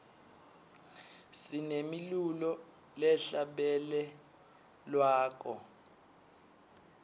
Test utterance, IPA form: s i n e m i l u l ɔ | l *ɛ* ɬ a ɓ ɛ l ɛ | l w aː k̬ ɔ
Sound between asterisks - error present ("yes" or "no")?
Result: no